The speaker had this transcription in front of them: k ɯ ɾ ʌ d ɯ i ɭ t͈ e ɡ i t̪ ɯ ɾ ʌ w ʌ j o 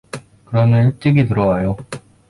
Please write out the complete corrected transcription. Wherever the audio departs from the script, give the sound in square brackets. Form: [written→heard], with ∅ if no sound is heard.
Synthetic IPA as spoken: k ɯ ɾ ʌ [d→n] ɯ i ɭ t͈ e ɡ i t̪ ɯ ɾ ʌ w [ʌ→a] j o